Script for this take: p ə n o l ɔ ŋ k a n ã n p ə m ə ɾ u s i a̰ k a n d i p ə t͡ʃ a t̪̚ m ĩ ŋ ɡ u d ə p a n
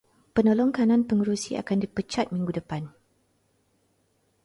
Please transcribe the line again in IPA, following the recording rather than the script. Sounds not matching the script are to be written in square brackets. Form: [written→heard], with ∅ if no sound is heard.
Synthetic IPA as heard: p ə n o l ɔ ŋ k a n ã n p ə [m→ŋ] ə ɾ u s i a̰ k a n d i p ə t͡ʃ a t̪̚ m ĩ ŋ ɡ u d ə p a n